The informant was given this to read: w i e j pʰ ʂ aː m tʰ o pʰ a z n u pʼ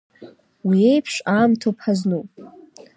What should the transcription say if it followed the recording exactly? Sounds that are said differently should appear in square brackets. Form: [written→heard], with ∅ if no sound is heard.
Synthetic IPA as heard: w i e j pʰ ʂ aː m tʰ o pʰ a z n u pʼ